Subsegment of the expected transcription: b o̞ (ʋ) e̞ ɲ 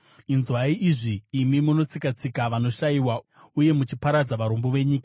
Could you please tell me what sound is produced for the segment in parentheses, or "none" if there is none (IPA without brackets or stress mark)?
ʋ